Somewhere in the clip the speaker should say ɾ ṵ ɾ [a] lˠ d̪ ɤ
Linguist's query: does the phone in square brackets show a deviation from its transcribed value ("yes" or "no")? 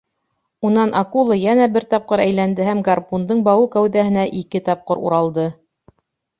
yes